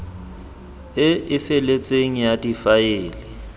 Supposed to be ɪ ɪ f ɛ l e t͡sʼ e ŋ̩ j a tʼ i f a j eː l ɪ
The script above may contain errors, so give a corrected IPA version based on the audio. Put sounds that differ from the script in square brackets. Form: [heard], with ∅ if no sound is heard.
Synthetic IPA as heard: ɪ ɪ f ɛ l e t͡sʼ e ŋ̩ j a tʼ i f a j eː l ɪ